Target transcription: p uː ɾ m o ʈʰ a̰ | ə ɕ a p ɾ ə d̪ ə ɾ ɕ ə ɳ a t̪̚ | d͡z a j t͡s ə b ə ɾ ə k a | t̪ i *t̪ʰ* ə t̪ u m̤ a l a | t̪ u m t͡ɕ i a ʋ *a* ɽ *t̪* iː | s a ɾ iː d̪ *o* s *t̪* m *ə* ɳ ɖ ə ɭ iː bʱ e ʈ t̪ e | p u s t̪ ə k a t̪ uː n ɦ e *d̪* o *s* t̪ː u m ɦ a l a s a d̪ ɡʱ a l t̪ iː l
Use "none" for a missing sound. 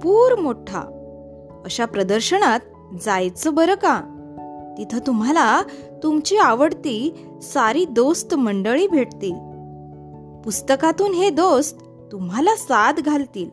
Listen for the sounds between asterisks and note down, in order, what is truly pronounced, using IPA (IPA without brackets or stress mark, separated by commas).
t̪ʰ, ə, t̪, o, t̪, ə, d̪, s